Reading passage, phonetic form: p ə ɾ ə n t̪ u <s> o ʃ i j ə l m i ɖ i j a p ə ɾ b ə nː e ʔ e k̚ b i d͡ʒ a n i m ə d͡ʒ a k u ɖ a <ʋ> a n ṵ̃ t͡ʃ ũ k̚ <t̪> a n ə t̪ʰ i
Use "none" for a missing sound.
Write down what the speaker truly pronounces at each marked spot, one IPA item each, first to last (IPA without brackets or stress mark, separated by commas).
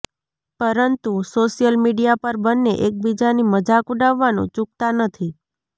s, ʋː, t̪